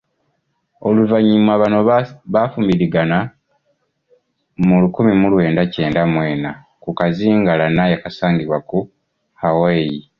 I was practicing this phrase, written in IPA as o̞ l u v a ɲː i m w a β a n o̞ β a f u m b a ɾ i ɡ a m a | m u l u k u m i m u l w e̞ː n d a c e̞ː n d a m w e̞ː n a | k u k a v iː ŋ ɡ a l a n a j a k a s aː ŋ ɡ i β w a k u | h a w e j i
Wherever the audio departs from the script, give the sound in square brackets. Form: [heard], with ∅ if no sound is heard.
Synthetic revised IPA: o̞ l u v a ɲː i m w a β a n o̞ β a f u m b [i] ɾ i ɡ a [n] a | m u l u k u m i m u l w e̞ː n d a c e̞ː n d a m w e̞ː n a | k u k a [z] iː ŋ ɡ a l a n a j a k a s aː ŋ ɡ i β w a k u | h a w e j i